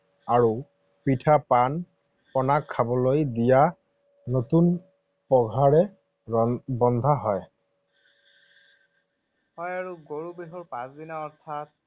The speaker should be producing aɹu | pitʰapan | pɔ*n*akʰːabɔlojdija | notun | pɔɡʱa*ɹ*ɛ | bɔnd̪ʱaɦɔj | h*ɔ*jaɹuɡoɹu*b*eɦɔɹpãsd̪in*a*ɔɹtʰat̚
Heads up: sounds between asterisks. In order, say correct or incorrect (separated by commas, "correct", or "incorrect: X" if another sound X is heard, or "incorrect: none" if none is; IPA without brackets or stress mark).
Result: correct, correct, correct, correct, correct